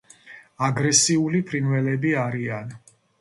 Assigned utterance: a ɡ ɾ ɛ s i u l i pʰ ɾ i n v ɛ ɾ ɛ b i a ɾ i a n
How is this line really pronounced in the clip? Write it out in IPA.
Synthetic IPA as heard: a ɡ ɾ ɛ s i u l i pʰ ɾ i n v ɛ l ɛ b i a ɾ i a n